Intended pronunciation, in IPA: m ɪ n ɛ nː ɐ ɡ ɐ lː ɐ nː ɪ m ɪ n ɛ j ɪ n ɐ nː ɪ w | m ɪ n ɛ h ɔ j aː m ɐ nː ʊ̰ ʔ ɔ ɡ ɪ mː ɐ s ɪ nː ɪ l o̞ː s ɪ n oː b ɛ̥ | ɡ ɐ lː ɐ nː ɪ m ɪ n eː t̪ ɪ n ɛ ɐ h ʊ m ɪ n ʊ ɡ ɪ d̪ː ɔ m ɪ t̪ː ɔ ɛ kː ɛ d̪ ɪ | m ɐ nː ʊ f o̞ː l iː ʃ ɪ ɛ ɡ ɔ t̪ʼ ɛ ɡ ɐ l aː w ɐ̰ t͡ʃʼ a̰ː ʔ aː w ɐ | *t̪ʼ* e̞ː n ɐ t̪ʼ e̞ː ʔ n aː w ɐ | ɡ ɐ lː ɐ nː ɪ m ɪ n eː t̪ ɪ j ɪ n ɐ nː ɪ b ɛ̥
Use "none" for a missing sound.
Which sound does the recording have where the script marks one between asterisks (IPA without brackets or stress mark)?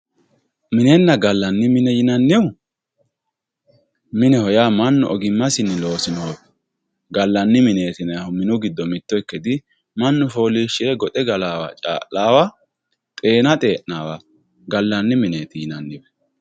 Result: t̪ʼ